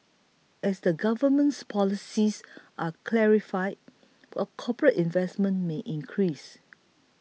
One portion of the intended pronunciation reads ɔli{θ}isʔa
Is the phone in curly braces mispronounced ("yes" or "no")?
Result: yes